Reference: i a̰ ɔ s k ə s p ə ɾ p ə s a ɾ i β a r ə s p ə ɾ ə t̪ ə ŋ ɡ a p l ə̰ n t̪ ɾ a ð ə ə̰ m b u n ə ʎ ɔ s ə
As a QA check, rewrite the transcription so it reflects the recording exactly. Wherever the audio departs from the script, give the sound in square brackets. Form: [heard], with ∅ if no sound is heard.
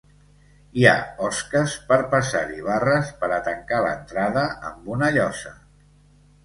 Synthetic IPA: i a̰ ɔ s k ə s p ə ɾ p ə s a ɾ i β a r ə s p ə ɾ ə t̪ ə ŋ [k] a [∅] l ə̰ n t̪ ɾ a ð ə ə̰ m b u n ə ʎ ɔ s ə